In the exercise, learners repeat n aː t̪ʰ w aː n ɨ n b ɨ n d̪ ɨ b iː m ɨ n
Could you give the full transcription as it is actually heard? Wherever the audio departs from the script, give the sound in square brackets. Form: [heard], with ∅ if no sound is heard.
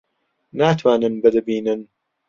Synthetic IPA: n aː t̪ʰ w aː n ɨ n b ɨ [∅] d̪ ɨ b iː [n] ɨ n

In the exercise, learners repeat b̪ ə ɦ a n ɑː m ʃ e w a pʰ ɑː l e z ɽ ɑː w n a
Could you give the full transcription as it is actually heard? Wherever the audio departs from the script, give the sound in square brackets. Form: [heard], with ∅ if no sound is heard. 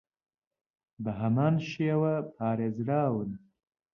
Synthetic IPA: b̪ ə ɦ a [m] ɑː [n] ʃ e w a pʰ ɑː [ɾ] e z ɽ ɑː w n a

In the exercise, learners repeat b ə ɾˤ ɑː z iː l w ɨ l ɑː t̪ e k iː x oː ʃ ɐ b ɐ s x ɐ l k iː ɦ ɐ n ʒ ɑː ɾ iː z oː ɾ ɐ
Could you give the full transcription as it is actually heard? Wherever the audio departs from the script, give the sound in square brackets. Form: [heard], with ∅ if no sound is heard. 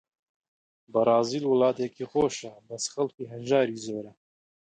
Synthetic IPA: b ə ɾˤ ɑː z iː l w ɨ l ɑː t̪ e k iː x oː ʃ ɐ b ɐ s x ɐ l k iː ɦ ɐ n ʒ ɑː ɾ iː z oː ɾ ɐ

